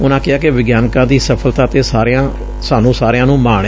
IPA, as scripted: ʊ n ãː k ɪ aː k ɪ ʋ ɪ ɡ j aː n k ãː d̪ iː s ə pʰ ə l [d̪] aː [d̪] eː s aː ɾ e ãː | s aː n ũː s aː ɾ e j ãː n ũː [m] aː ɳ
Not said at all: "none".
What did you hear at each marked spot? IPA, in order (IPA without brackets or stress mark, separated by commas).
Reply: t̪, t̪, m